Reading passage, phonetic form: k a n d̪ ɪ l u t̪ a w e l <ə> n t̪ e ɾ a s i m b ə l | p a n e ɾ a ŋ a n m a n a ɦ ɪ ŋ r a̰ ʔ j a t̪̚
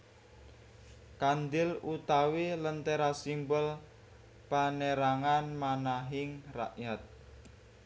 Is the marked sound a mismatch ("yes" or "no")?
no